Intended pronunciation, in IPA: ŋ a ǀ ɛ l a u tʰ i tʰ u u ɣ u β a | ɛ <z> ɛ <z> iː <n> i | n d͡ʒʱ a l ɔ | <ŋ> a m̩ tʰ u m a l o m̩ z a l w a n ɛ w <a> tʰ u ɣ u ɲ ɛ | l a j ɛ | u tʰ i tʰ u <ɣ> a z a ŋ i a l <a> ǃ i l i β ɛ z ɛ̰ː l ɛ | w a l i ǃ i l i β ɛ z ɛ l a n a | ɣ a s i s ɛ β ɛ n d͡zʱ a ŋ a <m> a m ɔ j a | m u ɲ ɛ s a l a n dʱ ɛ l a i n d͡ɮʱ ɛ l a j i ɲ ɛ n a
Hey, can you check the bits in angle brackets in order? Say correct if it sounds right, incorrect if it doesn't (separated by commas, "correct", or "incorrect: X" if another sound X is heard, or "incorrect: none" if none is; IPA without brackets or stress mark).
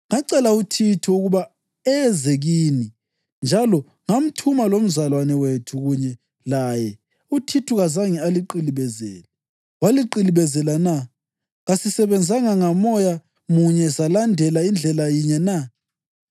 correct, incorrect: ɣ, correct, correct, incorrect: e, correct, incorrect: i, incorrect: ŋ